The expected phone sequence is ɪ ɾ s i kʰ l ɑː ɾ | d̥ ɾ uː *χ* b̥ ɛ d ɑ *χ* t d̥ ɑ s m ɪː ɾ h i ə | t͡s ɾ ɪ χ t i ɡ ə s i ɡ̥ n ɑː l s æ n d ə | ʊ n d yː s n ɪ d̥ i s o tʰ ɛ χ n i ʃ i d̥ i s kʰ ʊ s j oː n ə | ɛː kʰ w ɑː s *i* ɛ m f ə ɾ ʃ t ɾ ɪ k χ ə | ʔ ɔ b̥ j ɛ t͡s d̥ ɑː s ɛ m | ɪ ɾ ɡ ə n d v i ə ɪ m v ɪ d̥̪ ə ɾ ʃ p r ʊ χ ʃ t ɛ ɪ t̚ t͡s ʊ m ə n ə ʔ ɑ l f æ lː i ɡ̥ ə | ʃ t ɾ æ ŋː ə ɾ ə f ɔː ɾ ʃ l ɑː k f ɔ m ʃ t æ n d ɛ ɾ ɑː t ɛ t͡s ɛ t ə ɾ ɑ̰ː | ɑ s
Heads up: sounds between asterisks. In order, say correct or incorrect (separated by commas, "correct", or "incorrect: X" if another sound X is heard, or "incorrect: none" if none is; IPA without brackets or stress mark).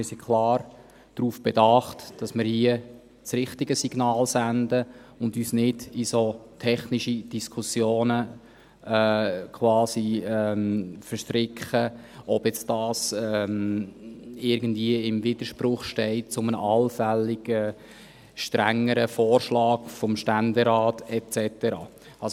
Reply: incorrect: f, correct, correct